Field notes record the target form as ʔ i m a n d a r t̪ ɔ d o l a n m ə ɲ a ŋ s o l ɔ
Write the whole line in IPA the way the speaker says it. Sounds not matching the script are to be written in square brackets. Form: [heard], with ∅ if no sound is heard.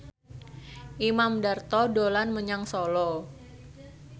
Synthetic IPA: ʔ i m a [m] d a r t̪ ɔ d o l a n m ə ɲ a ŋ s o l ɔ